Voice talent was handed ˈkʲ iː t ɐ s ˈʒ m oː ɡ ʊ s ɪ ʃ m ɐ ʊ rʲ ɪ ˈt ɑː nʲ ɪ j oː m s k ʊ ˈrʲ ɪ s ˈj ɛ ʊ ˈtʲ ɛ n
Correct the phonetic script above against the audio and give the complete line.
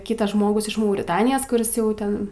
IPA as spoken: ˈkʲ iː t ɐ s ˈʒ m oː ɡ ʊ s ɪ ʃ m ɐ ʊ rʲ ɪ ˈt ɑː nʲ ɪ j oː s k ʊ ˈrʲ ɪ s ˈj ɛ ʊ ˈtʲ ɛ n